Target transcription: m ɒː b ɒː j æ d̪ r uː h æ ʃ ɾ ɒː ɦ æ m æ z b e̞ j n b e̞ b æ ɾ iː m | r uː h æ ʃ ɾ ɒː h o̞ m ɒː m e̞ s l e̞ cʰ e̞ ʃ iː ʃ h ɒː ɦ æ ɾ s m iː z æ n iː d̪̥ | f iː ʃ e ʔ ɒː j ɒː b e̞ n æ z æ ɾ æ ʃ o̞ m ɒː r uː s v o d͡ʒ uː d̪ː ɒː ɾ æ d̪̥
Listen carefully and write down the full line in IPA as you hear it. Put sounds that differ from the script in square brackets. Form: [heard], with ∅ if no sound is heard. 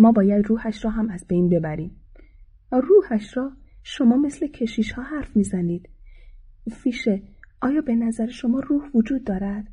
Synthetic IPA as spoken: m ɒː b ɒː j æ d̪ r uː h æ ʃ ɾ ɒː ɦ æ m æ z b e̞ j n b e̞ b æ ɾ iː m | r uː h æ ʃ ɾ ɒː [ʃ] o̞ m ɒː m e̞ s l e̞ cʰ e̞ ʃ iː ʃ h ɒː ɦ æ ɾ [f] m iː z æ n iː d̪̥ | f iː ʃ e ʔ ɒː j ɒː b e̞ n æ z æ ɾ [e] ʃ o̞ m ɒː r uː [h] v o d͡ʒ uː d̪ː ɒː ɾ æ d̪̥